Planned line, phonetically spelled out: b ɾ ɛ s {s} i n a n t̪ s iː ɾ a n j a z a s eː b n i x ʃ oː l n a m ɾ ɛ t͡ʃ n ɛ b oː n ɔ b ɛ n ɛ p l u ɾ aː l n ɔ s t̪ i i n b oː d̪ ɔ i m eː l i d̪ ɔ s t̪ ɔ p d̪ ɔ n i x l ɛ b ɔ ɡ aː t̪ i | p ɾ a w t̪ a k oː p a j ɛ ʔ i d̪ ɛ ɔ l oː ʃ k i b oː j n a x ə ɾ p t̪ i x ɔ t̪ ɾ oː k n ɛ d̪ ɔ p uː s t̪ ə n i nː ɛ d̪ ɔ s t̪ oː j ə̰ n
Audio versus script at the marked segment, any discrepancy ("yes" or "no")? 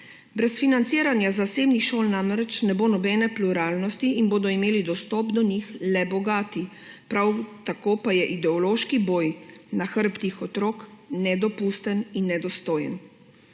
yes